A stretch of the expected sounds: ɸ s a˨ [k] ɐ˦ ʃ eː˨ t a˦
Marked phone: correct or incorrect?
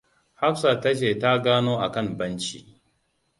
incorrect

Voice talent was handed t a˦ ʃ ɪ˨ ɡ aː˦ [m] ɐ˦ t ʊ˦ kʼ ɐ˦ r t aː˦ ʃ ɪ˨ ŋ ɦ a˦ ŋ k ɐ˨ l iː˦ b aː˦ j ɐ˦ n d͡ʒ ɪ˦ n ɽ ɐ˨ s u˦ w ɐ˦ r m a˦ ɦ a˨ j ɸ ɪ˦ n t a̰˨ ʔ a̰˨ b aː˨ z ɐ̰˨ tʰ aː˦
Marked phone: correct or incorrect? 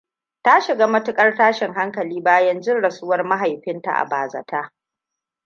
correct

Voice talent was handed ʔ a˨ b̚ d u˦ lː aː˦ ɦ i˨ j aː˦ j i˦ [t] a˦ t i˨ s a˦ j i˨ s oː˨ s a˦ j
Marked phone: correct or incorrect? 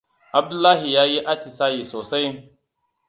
incorrect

